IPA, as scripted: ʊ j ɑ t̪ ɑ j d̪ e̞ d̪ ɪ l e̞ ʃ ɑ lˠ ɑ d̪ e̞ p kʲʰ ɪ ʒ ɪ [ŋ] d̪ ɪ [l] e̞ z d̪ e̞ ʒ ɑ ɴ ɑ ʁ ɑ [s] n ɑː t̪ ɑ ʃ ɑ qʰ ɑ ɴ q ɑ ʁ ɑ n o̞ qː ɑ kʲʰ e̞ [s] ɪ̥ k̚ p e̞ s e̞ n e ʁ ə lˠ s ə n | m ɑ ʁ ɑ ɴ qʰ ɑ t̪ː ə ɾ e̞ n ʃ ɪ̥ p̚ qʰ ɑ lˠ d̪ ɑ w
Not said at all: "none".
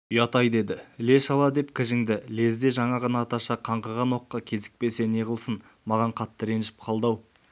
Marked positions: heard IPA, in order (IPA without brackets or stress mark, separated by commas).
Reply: ŋ, l, none, z